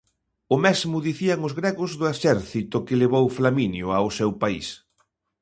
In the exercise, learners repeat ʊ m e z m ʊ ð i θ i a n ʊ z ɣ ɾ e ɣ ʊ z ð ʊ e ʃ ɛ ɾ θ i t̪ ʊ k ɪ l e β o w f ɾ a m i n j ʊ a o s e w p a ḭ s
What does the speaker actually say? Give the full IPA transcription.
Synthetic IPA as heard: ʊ m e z m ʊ ð i θ i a ŋ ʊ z ɣ ɾ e ɣ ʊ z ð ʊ e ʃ ɛ ɾ θ i t̪ ʊ k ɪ l e β o w f l a m i n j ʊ a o s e w p a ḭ s